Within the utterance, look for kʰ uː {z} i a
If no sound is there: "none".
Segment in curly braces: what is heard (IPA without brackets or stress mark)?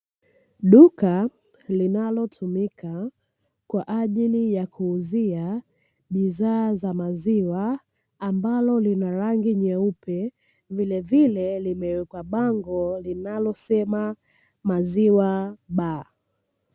z